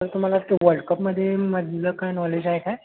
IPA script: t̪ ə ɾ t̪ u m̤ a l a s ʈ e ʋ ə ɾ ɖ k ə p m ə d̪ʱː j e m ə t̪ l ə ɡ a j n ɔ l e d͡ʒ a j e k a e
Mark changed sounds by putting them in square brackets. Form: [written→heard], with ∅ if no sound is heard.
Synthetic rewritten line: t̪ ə ɾ t̪ u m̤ a l a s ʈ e ʋ ə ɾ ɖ k ə p m ə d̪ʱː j e m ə [t̪→d̪] l ə [ɡ→k] a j n ɔ l e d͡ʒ a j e k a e